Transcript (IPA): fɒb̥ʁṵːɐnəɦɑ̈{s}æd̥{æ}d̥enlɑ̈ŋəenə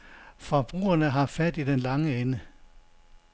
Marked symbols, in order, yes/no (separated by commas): no, no